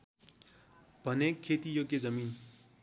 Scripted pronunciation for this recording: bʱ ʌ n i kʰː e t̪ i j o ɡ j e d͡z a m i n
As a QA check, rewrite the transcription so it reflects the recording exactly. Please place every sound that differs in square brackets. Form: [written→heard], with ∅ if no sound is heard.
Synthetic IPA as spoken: bʱ ʌ n [i→e] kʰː e t̪ i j o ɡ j e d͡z [a→ʌ] m i n